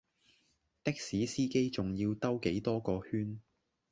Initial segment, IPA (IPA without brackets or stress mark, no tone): t̪